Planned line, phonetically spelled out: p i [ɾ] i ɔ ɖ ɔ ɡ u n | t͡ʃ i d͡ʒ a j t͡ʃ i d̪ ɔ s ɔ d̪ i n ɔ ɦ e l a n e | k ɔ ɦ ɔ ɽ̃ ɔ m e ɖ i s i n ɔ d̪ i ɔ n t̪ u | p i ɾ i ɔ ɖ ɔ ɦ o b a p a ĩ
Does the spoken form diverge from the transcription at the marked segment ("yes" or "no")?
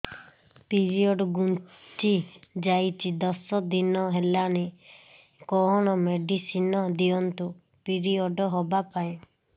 no